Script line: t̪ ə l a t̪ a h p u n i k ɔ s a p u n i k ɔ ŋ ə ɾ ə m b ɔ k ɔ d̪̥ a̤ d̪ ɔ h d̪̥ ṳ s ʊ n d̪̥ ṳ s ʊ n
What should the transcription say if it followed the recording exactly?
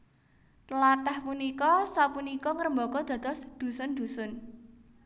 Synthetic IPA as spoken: t̪ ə l a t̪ a h p u n i k ɔ s a p u n i k ɔ ŋ ə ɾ ə m b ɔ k ɔ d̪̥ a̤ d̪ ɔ s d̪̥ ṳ s ʊ n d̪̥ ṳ s ʊ n